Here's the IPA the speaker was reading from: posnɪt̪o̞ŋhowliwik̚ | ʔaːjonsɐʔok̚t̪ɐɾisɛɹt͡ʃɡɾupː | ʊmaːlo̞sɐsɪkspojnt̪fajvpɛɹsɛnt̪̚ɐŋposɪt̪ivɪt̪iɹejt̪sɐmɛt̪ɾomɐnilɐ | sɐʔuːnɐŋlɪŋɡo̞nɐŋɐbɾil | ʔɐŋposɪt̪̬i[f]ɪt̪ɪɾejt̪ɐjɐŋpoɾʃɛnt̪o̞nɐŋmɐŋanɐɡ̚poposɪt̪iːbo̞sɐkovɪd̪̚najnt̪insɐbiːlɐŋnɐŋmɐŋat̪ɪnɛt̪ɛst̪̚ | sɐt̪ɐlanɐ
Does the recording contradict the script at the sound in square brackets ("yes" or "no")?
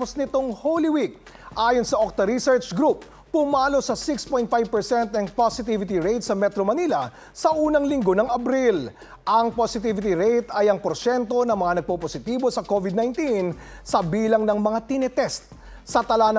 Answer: yes